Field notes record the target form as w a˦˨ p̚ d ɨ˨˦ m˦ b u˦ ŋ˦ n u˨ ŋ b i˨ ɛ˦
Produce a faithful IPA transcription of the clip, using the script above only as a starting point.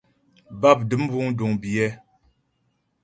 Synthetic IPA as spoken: b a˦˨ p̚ d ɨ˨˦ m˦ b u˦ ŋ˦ d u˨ ŋ b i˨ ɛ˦